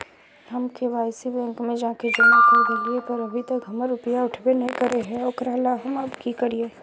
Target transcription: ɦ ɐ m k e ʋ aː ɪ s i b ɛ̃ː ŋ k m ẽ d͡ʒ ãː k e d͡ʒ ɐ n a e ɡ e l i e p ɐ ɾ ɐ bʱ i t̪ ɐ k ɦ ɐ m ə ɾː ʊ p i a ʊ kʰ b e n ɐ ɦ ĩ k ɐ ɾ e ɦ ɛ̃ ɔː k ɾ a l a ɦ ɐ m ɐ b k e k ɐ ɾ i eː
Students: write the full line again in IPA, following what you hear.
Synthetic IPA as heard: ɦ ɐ m k e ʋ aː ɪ s i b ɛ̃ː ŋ k m ẽ d͡ʒ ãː k e d͡ʒ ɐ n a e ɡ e l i e p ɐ ɾ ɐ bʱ i t̪ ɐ k ɦ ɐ m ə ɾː ʊ p j a ʊ ʈʰ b e n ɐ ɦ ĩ k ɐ ɾ e ɦ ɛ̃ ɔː k ɾ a l a ɦ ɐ m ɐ b k i k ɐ ɾ i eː